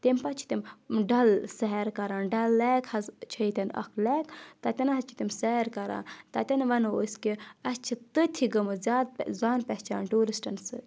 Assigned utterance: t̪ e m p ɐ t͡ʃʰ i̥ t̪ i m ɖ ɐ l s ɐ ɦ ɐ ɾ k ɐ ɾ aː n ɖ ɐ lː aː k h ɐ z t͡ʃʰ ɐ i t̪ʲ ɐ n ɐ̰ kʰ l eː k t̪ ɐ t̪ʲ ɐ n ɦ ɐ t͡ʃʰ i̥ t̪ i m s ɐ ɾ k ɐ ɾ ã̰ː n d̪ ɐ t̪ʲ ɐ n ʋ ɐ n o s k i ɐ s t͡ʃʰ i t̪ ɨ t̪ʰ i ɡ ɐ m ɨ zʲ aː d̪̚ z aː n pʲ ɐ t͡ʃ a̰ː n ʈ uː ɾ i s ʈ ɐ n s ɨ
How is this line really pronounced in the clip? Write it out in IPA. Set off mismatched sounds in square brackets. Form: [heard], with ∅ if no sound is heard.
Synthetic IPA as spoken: t̪ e m p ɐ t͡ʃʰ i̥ t̪ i m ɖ ɐ l s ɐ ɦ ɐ ɾ k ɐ ɾ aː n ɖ ɐ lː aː k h ɐ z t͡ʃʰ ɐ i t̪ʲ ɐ n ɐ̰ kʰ l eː k t̪ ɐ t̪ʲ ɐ n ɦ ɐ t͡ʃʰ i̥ t̪ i m s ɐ ɾ k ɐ ɾ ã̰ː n [t̪] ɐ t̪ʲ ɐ n ʋ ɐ n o s k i ɐ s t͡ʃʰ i t̪ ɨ t̪ʰ i ɡ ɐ m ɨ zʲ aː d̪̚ z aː n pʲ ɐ t͡ʃ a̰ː n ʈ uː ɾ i s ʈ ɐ n s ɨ

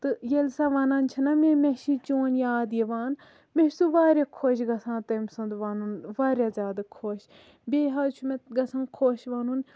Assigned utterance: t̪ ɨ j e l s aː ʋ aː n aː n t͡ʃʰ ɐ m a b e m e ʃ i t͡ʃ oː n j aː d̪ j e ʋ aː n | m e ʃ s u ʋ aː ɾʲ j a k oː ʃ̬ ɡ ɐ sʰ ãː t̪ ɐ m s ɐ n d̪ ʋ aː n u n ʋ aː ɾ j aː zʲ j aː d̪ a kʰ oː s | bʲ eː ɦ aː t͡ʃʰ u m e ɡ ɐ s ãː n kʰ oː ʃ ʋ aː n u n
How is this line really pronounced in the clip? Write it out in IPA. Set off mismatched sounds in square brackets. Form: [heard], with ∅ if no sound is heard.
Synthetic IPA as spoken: t̪ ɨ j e l s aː ʋ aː n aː n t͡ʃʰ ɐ [n] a [m] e m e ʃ i t͡ʃ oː n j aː d̪ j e ʋ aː n | m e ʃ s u ʋ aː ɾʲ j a [kʰ] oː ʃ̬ ɡ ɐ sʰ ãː t̪ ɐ m s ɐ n d̪ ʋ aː n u n ʋ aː ɾ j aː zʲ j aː d̪ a kʰ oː [ʃ] | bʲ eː ɦ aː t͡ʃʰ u m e ɡ ɐ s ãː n kʰ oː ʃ ʋ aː n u n

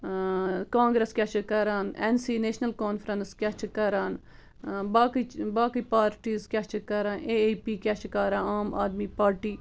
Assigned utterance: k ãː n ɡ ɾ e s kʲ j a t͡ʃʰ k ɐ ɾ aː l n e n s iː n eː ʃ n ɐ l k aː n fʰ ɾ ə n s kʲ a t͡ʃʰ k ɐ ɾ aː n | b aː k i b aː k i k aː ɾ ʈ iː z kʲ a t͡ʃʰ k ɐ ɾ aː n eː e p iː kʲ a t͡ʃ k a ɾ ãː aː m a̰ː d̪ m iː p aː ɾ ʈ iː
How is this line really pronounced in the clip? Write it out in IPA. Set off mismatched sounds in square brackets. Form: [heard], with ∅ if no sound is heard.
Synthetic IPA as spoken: k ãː [ŋ] ɡ ɾ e s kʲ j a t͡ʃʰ k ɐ ɾ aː [∅] n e n s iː n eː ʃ n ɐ l k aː n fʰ ɾ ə n s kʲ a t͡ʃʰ k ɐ ɾ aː n | b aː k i b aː k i [p] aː ɾ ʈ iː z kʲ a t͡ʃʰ k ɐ ɾ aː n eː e p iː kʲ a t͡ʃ k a ɾ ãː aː m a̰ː d̪ m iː p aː ɾ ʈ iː

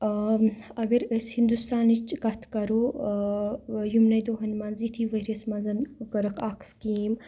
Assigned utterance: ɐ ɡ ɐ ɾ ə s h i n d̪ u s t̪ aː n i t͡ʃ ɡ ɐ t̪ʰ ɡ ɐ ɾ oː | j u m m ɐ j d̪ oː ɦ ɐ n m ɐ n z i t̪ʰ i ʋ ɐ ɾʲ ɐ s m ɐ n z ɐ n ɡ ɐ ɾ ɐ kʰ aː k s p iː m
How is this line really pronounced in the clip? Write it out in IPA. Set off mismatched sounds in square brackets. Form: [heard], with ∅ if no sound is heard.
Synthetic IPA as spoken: ɐ ɡ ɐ ɾ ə s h i n d̪ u s t̪ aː n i t͡ʃ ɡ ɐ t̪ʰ [k] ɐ ɾ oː | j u m [n] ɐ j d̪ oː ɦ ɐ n m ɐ n z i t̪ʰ i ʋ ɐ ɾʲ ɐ s m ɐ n z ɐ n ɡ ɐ ɾ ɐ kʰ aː k s [k] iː m

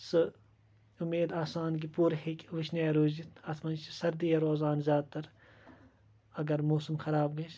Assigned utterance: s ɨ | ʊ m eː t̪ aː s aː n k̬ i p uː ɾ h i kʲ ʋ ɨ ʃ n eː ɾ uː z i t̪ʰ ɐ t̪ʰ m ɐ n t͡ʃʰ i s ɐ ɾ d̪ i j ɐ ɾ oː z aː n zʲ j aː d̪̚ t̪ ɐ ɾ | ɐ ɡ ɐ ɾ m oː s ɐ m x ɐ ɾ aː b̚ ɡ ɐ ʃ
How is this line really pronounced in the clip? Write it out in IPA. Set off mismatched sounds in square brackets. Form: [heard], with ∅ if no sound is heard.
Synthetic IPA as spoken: s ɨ | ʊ m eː [d̪] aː s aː n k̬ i p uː ɾ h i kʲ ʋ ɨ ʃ n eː ɾ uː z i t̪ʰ ɐ t̪ʰ m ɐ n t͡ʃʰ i s ɐ ɾ d̪ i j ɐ ɾ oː z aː n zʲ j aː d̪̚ t̪ ɐ ɾ | ɐ ɡ ɐ ɾ m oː s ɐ m x ɐ ɾ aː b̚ ɡ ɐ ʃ

